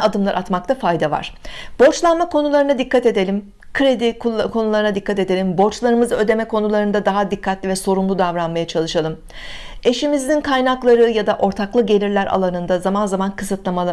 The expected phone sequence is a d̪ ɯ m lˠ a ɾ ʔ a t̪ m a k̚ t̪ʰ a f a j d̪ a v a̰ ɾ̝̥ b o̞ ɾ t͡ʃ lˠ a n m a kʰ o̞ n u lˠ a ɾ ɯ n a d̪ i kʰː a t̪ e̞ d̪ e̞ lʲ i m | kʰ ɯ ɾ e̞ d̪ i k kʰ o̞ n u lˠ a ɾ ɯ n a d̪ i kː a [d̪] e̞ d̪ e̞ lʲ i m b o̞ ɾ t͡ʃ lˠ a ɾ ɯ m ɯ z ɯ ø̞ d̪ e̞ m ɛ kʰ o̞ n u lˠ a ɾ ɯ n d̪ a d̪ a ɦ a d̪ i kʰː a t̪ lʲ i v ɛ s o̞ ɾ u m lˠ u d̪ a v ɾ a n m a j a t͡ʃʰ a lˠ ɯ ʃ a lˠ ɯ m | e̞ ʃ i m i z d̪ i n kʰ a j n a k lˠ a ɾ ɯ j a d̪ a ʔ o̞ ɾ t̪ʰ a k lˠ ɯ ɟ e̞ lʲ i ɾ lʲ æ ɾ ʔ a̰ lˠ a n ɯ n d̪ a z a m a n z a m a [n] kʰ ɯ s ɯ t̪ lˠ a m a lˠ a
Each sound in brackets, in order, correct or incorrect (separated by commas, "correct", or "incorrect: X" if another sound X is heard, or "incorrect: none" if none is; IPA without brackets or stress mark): incorrect: t̪, correct